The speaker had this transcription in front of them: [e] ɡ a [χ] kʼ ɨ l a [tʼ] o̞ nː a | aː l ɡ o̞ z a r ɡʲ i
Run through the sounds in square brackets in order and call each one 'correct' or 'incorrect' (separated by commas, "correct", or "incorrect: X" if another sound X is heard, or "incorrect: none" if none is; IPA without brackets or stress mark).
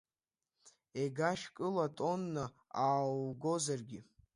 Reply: correct, incorrect: ʃ, correct